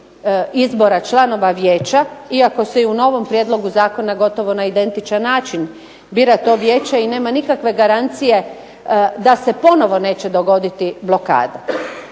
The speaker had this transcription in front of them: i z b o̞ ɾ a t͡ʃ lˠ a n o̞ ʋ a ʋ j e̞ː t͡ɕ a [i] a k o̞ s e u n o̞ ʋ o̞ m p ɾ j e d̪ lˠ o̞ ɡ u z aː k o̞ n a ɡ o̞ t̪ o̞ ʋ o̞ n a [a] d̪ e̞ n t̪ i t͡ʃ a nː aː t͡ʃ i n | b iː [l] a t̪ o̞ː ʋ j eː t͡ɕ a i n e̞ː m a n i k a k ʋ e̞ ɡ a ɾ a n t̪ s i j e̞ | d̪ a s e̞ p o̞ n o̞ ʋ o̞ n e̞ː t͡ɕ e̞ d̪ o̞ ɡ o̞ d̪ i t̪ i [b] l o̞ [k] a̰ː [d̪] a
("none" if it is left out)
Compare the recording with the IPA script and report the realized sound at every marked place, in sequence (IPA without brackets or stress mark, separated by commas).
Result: i, i, ɾ, b, k, d̪